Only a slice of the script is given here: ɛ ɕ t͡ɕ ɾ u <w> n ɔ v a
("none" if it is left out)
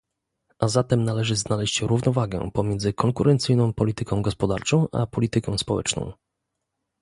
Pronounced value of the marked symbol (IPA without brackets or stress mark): v